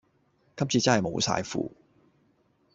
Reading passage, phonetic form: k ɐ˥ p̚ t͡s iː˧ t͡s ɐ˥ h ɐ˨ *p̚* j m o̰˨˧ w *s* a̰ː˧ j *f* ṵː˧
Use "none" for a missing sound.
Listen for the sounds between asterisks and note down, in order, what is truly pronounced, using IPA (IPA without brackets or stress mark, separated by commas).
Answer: none, s, f